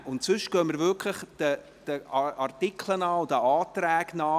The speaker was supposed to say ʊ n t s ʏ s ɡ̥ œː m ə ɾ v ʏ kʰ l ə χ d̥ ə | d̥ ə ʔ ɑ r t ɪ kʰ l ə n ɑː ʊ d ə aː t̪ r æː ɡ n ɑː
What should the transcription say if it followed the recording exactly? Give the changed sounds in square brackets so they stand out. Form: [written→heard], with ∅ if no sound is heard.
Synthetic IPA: ʊ n t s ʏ [s→ʃ] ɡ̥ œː m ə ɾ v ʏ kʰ l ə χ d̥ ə | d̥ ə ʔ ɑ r t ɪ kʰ l ə n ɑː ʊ d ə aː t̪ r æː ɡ n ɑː